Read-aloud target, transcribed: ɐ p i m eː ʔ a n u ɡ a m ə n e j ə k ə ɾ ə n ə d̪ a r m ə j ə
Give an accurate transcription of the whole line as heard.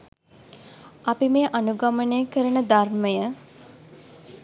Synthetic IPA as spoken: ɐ p i m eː ʔ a n u ɡ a m ə n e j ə k ə ɾ ə n ə d̪ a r m ə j ə